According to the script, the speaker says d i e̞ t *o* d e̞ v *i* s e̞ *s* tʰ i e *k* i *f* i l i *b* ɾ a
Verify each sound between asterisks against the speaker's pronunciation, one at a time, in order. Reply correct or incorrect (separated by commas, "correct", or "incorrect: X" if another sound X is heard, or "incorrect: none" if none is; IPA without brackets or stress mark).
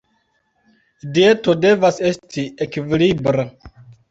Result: correct, incorrect: a, correct, correct, incorrect: v, correct